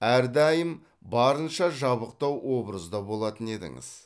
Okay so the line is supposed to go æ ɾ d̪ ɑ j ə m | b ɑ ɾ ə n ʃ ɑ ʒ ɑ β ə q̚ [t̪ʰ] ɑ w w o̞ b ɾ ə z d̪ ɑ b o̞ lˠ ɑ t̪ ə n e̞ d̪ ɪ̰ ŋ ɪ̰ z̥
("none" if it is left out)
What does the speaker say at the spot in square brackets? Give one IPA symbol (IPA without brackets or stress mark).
t̪